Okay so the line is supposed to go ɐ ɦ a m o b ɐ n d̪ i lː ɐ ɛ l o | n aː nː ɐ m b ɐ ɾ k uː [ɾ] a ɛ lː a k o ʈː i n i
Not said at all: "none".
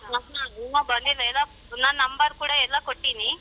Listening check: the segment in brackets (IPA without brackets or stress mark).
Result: ɽ